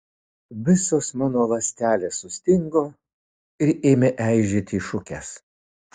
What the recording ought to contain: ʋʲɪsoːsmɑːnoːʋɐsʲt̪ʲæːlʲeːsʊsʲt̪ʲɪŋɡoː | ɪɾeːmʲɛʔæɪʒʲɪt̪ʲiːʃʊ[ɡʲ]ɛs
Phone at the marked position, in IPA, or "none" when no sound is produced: kʲ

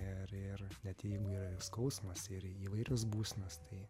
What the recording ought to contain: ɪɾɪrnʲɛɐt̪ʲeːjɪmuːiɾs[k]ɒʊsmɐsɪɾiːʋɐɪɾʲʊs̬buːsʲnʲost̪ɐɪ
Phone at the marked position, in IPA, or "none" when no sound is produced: k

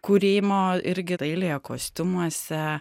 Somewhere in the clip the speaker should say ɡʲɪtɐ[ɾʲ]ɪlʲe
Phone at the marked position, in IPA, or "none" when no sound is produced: none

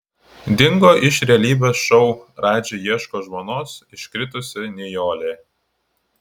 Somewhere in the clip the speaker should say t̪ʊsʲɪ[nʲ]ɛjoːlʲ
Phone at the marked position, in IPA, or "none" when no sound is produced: nʲ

